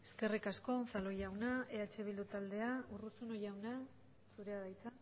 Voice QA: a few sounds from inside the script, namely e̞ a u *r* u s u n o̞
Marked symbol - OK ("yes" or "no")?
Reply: yes